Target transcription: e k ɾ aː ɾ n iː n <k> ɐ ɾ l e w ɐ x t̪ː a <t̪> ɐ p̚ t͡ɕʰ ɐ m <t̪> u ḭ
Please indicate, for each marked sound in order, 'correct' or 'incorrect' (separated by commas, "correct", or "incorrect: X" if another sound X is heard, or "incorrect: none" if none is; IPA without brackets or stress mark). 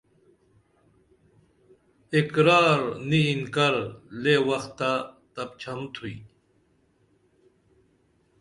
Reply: correct, correct, incorrect: t̪ʰ